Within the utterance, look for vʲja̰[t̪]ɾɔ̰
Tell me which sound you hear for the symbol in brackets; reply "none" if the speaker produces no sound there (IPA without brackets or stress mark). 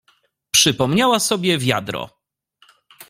d̪